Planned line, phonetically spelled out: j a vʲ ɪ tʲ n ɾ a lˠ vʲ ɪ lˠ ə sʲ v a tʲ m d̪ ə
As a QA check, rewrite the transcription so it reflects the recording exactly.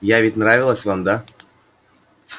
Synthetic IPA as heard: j a vʲ ɪ tʲ n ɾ a vʲ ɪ lˠ ə sʲ v a m d̪ a

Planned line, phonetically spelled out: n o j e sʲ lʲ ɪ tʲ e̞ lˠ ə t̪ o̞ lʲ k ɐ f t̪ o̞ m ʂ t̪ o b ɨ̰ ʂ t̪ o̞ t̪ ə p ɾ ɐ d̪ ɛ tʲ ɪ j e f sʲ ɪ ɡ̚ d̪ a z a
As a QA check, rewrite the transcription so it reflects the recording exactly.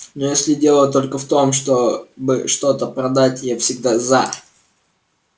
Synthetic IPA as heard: n o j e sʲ lʲ ɪ dʲ e̞ lˠ ə t̪ o̞ lʲ k ə f t̪ o̞ m ʂ t̪ o b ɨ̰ ʂ t̪ o̞ t̪ ə p ɾ ɐ d̪ a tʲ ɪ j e f sʲ ɪ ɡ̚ d̪ a z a

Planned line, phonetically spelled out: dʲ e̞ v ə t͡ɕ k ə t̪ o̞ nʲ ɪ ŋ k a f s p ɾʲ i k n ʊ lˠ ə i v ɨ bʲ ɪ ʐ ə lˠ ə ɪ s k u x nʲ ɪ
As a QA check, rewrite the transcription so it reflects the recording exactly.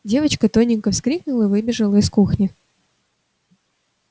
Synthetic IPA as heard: dʲ e̞ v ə t͡ɕ k ə t̪ o̞ nʲ ɪ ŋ k ə f s k ɾʲ i k n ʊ lˠ ə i v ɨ bʲ ɪ ʐ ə lˠ ə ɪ s k u x nʲ ɪ

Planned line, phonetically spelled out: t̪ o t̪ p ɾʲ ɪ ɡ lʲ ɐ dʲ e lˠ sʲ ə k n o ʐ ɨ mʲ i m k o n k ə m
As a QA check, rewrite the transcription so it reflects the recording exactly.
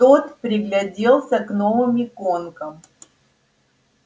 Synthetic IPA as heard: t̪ o t̪ p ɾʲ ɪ ɡ lʲ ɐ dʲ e lˠ sʲ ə k n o v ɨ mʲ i k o n k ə m

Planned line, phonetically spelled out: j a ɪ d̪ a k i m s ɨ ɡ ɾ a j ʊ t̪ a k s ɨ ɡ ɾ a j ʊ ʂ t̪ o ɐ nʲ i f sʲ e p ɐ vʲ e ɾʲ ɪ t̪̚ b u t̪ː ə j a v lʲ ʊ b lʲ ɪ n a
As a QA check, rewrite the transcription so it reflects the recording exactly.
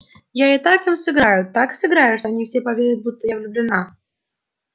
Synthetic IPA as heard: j a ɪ t̪ a k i m s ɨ ɡ ɾ a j ʊ t̪ a k s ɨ ɡ ɾ a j ʊ ʂ t̪ o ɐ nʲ i f sʲ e p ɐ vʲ e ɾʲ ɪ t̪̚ b u t̪ː ə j a v lʲ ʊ b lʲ ɪ n a

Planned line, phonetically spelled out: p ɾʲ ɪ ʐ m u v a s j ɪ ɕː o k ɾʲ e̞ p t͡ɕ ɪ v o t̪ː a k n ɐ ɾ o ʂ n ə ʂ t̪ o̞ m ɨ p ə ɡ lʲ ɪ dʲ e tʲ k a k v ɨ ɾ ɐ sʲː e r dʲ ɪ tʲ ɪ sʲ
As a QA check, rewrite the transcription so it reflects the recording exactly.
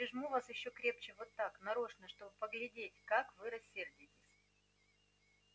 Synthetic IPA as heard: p ɾʲ ɪ ʐ m u v a s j ɪ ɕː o k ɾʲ e̞ p t͡ɕ ɪ v o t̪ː a k n ɐ ɾ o ʂ n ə ʂ t̪ o̞ b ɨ p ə ɡ lʲ ɪ dʲ e tʲ k a k v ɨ ɾ ɐ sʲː e r dʲ ɪ tʲ ɪ sʲ

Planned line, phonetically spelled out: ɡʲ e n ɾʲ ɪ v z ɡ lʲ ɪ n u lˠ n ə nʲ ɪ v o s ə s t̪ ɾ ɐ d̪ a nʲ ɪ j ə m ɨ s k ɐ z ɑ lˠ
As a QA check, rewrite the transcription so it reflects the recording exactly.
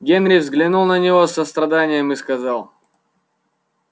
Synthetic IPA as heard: ɡʲ e n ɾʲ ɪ v z ɡ lʲ ɪ n u lˠ n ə nʲ ɪ v o s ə s t̪ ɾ ɐ d̪ a nʲ ɪ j ə m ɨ s k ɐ z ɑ lˠ

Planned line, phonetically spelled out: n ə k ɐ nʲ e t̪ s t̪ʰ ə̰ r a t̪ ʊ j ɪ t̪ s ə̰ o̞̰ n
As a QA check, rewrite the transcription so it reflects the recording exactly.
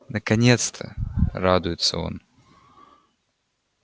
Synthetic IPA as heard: n ə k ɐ nʲ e t̪ s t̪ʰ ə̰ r a d̪ ʊ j ɪ t̪ s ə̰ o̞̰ n

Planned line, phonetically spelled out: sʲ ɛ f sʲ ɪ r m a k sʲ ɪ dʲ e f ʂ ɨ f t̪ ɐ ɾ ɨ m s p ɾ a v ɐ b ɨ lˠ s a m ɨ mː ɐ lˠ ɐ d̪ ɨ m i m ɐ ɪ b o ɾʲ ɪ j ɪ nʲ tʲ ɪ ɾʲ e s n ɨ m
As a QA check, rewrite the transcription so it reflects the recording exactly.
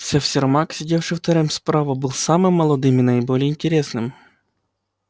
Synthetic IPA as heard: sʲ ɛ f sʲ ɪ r m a k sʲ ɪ dʲ e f ʂ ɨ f t̪ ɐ ɾ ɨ m s p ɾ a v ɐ b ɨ lˠ s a m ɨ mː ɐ lˠ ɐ d̪ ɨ m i n ɐ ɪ b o lʲ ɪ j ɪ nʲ tʲ ɪ ɾʲ e s n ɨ m

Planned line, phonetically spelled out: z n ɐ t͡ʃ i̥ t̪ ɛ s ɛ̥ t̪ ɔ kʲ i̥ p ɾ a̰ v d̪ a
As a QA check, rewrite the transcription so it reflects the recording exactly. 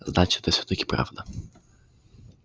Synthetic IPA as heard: z n a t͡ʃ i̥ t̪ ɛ s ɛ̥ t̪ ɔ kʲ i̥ p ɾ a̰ v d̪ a

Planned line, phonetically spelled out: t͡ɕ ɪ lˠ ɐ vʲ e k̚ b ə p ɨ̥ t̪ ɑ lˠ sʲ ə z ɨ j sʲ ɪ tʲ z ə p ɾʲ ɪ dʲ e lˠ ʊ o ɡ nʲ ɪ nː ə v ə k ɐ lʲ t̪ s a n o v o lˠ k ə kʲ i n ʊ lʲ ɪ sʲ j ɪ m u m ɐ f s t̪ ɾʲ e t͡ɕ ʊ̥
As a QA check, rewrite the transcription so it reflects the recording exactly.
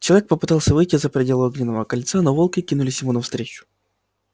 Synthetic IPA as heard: t͡ɕ ɪ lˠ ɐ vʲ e k̚ p ə p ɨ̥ t̪ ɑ lˠ sʲ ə v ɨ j tʲ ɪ z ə p ɾʲ ɪ dʲ e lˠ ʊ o ɡ nʲ ɪ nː ə v ə k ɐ lʲ t̪ s a n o v o lˠ k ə kʲ i n ʊ lʲ ɪ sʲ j ɪ m u n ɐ f s t̪ ɾʲ e t͡ɕ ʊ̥

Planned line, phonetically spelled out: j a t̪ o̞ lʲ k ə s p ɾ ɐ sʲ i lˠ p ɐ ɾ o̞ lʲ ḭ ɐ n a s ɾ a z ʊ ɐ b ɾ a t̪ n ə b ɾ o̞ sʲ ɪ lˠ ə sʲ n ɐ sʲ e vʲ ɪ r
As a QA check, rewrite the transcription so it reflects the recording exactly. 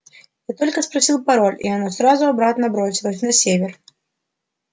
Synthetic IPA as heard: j a t̪ o̞ lʲ k ə s p ɾ ɐ sʲ i lˠ p ɐ ɾ o̞ lʲ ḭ ɐ n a s ɾ a z ʊ ɐ b ɾ a t̪ n ə b ɾ o̞ sʲ ɪ lˠ ə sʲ n ɐ sʲ e vʲ ɪ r

